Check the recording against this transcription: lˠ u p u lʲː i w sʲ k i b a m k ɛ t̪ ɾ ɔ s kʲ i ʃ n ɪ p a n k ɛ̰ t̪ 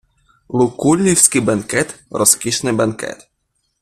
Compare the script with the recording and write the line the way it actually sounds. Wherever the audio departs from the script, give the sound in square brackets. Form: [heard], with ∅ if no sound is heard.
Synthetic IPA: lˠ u [k] u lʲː i w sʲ k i b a [n] k ɛ t̪ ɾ ɔ s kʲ i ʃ n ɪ [b] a n k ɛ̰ t̪

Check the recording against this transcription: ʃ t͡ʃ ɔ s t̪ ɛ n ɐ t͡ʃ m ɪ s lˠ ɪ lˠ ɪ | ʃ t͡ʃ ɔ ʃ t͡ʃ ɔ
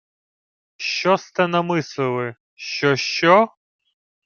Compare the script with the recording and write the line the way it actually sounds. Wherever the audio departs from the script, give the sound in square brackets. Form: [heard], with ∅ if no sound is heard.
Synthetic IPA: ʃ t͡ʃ ɔ s t̪ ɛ n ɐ [∅] m ɪ s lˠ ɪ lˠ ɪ | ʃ t͡ʃ ɔ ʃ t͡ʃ ɔ

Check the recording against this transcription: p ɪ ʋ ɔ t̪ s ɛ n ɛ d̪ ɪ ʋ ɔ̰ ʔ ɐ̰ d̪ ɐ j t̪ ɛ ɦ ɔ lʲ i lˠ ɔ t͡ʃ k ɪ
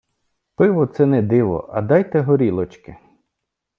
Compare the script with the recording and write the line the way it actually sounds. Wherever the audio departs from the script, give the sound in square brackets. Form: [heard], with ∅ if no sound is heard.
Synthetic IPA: p ɪ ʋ ɔ t̪ s ɛ n ɛ d̪ ɪ ʋ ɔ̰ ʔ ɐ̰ d̪ [ɑ] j t̪ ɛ ɦ ɔ [ɾʲ] i lˠ ɔ t͡ʃ k ɪ

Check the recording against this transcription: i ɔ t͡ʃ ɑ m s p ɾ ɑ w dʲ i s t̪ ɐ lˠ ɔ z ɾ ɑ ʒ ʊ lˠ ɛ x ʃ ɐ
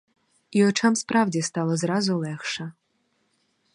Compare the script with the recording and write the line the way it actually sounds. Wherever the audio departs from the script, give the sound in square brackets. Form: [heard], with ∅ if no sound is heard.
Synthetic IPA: i ɔ t͡ʃ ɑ m s p ɾ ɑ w dʲ i s t̪ [ɑ] lˠ ɔ z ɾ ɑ [z] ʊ lˠ ɛ x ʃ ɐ

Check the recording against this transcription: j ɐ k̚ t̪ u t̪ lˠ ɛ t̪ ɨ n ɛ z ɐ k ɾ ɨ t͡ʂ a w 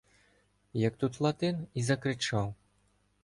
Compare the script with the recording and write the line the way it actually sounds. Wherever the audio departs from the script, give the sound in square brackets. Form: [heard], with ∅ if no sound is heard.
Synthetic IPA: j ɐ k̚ t̪ u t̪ lˠ [a] t̪ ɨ n [i] z ɐ k ɾ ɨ t͡ʂ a w

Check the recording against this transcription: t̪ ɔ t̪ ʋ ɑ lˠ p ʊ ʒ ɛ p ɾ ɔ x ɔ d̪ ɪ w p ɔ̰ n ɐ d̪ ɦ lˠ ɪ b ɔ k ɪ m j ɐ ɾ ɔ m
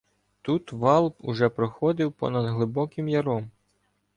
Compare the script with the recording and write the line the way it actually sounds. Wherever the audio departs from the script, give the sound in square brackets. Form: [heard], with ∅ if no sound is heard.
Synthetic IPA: t̪ [u] t̪ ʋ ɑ lˠ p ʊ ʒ ɛ p ɾ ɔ x ɔ d̪ ɪ w p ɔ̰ n ɐ d̪ ɦ lˠ ɪ b ɔ k ɪ m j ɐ ɾ ɔ m

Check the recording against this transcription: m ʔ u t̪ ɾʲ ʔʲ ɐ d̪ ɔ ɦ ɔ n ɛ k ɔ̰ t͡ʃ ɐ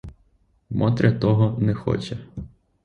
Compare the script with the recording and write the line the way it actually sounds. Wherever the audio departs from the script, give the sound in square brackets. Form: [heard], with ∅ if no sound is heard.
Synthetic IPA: m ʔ [ɔ] t̪ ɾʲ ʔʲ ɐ [t̪] ɔ ɦ ɔ n ɛ [x] ɔ̰ t͡ʃ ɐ

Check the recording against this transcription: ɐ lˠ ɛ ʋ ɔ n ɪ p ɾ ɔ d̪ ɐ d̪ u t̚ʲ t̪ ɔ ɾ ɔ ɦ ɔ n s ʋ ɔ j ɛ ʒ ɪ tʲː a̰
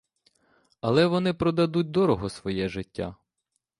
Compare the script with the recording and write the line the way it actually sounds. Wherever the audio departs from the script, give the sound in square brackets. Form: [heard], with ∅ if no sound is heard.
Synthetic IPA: ɐ lˠ ɛ ʋ ɔ n ɪ p ɾ ɔ d̪ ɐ d̪ u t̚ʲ [d̪] ɔ ɾ ɔ ɦ ɔ [∅] s ʋ ɔ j ɛ ʒ ɪ tʲː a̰

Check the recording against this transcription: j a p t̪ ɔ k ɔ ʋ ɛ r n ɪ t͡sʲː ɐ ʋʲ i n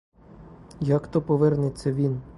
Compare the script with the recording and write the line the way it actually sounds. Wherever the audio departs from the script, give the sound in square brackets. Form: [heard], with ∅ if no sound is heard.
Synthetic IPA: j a [k] t̪ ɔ [p] ɔ ʋ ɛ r n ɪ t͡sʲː ɐ ʋʲ i n

